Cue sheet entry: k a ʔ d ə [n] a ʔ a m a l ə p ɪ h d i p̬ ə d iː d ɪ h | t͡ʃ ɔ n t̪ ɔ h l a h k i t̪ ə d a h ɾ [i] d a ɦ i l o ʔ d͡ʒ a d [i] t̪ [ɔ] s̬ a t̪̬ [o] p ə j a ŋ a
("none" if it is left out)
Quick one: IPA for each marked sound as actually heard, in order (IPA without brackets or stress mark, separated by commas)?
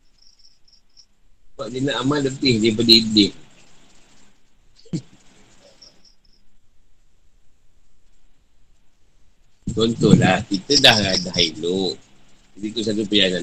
n, a, i, u, u